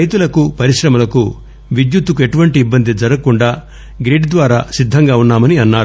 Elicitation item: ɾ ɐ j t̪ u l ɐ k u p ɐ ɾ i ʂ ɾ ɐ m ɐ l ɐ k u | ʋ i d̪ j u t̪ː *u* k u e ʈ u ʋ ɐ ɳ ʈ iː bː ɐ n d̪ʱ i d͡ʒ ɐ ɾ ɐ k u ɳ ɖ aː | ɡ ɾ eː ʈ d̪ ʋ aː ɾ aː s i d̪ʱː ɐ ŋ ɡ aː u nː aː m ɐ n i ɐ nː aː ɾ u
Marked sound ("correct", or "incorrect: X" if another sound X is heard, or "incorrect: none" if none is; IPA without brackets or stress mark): correct